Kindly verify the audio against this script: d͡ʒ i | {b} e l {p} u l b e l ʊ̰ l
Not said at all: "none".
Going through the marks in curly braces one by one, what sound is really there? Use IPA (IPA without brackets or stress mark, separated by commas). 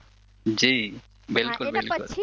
b, k